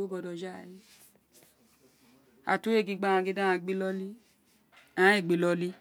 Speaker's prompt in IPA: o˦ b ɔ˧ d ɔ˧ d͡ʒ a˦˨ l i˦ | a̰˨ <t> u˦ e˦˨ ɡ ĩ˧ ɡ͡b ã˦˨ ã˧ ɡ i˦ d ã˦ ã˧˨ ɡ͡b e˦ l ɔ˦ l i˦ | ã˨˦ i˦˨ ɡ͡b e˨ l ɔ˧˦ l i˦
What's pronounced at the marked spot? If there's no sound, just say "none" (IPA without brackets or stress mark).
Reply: t